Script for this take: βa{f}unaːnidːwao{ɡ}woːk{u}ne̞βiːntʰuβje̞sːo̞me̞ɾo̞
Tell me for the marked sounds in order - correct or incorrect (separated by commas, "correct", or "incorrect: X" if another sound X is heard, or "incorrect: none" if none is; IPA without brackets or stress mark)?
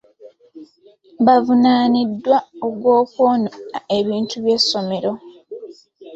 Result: incorrect: v, correct, incorrect: o